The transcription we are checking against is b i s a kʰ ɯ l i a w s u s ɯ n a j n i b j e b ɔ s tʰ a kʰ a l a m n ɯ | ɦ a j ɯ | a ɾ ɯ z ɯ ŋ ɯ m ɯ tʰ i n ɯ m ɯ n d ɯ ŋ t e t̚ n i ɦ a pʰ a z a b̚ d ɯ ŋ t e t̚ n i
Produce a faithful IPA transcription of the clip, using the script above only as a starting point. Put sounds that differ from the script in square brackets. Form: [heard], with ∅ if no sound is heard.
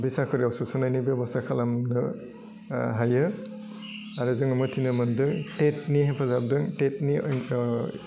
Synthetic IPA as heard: b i s a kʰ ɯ [ɾ] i a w s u s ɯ n a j n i b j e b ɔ s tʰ a kʰ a l a m n ɯ | ɦ a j ɯ | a ɾ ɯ z ɯ ŋ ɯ m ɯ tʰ i n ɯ m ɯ n d ɯ ŋ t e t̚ n i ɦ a pʰ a z a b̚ d ɯ ŋ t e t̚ n i

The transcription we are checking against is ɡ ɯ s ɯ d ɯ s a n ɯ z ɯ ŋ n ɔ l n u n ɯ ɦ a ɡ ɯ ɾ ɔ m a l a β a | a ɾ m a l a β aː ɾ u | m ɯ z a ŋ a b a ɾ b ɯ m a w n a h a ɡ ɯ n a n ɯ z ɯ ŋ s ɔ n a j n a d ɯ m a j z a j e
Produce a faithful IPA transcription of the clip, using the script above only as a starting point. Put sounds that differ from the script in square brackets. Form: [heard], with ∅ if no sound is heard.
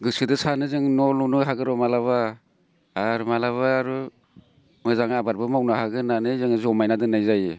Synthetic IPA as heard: ɡ ɯ s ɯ d ɯ s a n ɯ z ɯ ŋ n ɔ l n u n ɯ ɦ a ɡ ɯ ɾ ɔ m a l a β a | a ɾ m a l a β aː ɾ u | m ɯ z a ŋ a b a ɾ b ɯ m a w n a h a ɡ ɯ n a n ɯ z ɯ ŋ [z] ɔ [m] a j n a d ɯ [n] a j z a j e

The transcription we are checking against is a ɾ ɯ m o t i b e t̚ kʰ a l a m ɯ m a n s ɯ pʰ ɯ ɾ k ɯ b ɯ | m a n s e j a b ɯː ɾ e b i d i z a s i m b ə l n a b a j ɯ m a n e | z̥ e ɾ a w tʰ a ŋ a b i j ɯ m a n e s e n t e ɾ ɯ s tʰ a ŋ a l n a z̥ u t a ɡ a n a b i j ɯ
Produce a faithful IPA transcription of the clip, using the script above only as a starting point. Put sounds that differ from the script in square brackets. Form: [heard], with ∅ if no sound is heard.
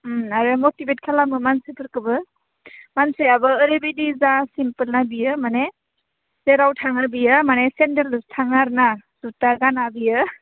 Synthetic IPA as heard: a ɾ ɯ m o t i b e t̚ kʰ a l a m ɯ m a n s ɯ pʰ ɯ ɾ k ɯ b ɯ | m a n s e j a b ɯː ɾ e b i d i z a s i m [p] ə l n a b [i] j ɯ m a n e | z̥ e ɾ a w tʰ a ŋ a b i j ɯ m a n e s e n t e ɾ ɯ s tʰ a ŋ a [ɾ] n a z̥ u t a ɡ a n a b i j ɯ

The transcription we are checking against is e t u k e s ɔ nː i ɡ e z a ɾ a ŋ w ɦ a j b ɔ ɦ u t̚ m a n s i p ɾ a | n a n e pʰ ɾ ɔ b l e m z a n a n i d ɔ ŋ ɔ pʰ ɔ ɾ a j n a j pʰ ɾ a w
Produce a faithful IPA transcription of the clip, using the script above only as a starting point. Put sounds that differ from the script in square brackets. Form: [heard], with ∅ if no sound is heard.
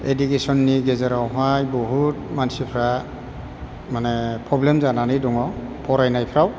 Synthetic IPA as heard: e [d] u k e s ɔ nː i ɡ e z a ɾ a [∅] w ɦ a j b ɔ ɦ u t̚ m a n s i [pʰ] ɾ a | [m] a n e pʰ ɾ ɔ b l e m z a n a n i d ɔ ŋ ɔ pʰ ɔ ɾ a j n a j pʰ ɾ a w

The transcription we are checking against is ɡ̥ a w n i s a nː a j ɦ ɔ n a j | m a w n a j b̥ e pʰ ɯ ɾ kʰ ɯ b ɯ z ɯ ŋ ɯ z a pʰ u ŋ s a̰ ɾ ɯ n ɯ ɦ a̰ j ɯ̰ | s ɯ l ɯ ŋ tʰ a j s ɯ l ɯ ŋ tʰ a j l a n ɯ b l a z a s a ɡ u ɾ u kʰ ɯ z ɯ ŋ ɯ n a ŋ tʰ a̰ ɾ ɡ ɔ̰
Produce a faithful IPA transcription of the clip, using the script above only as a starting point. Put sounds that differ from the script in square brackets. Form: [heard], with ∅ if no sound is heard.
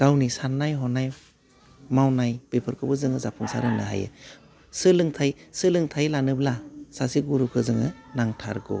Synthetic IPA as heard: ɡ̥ a w n i s a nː a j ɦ ɔ n a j | m a w n a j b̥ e pʰ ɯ ɾ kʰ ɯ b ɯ z ɯ ŋ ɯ z a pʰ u ŋ s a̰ ɾ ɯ n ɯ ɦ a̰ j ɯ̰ | s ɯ l ɯ ŋ tʰ a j s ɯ l ɯ ŋ tʰ a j l a n ɯ b l a [s] a s [i] ɡ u ɾ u kʰ ɯ z ɯ ŋ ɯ n a ŋ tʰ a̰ ɾ ɡ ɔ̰

